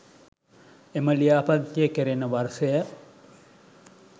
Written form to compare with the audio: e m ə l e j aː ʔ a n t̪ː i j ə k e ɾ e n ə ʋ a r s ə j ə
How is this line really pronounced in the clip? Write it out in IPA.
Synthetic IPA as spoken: e m ə l i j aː p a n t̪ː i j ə k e ɾ e n ə ʋ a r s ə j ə